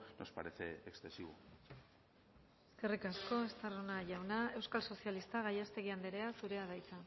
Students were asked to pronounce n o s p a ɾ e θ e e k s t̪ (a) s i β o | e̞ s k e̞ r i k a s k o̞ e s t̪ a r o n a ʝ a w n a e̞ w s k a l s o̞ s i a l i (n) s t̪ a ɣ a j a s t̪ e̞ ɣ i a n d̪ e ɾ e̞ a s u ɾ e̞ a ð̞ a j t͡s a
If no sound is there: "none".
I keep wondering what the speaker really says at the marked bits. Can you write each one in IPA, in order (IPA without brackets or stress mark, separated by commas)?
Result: e, none